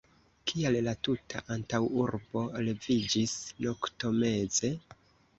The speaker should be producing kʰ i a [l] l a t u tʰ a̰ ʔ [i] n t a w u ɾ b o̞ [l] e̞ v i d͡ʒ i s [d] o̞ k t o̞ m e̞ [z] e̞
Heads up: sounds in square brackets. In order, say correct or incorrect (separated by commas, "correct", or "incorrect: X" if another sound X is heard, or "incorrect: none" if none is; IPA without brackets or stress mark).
correct, incorrect: a, correct, incorrect: n, correct